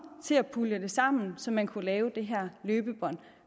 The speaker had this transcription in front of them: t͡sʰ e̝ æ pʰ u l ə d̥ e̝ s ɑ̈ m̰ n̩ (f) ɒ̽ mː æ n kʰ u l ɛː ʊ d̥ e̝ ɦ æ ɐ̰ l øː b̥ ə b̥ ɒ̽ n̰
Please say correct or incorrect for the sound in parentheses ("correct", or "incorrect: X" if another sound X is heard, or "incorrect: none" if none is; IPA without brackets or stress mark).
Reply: incorrect: s